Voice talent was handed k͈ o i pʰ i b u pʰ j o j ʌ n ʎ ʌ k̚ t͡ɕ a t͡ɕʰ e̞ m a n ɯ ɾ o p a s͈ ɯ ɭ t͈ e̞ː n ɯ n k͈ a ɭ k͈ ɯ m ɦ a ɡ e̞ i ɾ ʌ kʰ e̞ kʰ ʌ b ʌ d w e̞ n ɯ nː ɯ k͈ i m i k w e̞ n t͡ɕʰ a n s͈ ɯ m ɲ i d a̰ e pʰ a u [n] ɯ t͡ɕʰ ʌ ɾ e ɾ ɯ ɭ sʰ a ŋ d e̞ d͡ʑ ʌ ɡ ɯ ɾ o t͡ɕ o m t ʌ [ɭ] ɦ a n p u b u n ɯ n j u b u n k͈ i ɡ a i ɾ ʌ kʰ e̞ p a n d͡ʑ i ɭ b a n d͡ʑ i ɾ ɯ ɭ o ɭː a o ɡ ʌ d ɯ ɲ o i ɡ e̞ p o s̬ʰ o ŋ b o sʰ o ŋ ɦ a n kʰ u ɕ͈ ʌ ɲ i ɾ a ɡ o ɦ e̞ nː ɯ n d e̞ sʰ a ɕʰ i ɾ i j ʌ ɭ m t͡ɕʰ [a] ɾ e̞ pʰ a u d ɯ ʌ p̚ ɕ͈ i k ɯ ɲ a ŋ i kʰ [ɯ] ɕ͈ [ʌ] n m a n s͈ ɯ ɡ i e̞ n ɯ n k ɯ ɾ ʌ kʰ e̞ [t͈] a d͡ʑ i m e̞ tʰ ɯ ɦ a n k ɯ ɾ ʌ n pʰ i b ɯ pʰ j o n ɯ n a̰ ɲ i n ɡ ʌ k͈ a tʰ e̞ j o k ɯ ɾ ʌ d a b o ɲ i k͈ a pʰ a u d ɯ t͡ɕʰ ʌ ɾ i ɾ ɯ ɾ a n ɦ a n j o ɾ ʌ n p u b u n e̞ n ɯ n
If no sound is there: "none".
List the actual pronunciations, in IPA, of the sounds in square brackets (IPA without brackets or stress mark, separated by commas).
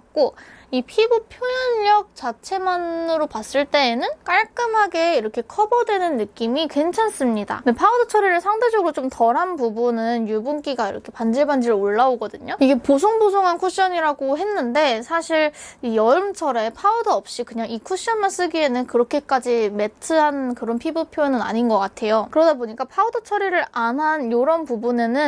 d, ɾ, ʌ, u, ʌ, k͈